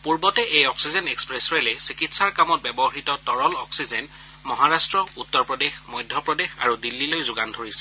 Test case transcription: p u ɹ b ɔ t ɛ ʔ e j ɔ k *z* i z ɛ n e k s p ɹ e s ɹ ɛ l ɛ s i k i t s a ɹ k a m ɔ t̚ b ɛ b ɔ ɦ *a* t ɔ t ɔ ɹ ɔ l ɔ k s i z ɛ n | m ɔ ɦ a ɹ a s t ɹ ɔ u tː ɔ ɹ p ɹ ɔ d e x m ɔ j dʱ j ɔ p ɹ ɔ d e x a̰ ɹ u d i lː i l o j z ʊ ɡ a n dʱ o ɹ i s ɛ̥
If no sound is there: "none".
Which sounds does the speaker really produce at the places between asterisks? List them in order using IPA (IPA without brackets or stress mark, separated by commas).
s, i